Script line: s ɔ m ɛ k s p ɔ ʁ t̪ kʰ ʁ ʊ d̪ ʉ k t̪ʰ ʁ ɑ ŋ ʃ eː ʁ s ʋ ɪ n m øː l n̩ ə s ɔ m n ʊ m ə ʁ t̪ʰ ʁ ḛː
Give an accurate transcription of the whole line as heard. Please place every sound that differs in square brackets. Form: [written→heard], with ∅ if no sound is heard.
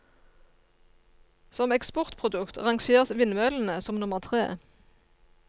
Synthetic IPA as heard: s ɔ m ɛ k s p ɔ ʁ t̪ [kʰ→pʰ] ʁ ʊ d̪ ʉ k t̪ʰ ʁ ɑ ŋ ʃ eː ʁ s ʋ ɪ n m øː l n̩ ə s ɔ m n ʊ m ə ʁ t̪ʰ ʁ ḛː